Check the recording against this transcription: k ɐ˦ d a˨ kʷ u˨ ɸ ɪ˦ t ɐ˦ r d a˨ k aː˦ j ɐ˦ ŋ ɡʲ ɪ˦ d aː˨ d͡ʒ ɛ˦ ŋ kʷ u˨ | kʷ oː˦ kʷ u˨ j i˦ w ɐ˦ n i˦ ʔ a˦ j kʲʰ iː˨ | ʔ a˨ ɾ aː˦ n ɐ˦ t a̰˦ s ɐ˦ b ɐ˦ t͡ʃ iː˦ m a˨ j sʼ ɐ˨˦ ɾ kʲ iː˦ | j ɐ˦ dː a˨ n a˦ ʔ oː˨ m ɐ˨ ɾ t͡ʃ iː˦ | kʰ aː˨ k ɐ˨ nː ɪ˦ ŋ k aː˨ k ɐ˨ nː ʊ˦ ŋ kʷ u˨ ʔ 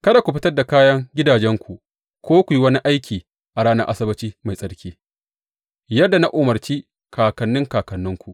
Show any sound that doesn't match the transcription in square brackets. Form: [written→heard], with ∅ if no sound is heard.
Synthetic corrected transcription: k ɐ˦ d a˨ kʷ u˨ ɸ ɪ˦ t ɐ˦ r d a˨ k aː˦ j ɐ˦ ŋ ɡʲ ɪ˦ d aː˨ d͡ʒ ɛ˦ ŋ kʷ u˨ | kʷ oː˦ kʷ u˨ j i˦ w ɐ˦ n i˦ ʔ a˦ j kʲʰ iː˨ | ʔ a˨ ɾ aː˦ n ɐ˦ [t→ʔ] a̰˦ s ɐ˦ b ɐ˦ t͡ʃ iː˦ m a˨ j sʼ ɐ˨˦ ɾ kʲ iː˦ | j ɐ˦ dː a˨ n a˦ ʔ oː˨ m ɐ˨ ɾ t͡ʃ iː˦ | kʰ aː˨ k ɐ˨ nː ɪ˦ ŋ k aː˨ k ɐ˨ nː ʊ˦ ŋ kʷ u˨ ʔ